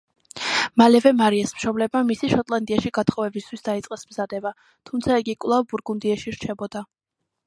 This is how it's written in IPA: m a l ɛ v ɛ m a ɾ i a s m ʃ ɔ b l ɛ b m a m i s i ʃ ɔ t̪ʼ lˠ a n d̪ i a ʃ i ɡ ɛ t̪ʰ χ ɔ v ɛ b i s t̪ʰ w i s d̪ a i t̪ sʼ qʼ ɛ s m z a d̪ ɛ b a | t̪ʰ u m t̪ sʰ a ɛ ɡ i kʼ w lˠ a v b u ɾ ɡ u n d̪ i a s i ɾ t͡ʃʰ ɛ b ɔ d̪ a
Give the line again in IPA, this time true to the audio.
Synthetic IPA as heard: m a l ɛ v ɛ m a ɾ i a s m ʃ ɔ b l ɛ b m a m i s i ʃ ɔ t̪ʼ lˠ a n d̪ i a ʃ i ɡ a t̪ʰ χ ɔ v ɛ b i s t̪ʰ w i s d̪ a i t̪ sʼ qʼ ɛ s m z a d̪ ɛ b a | t̪ʰ u m t̪ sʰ a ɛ ɡ i kʼ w lˠ a v b u ɾ ɡ u n d̪ i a ʃ i ɾ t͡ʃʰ ɛ b ɔ d̪ a